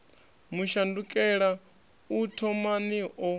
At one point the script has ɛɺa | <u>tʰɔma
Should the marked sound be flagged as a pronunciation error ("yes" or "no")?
no